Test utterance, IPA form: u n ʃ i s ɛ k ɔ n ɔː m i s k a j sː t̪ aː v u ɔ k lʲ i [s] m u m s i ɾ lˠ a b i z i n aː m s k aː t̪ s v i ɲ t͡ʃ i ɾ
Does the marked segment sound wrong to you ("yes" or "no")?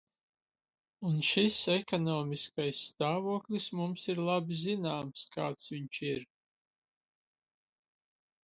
no